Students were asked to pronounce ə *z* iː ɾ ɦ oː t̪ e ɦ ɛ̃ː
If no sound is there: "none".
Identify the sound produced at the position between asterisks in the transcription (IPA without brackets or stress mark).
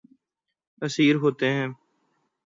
s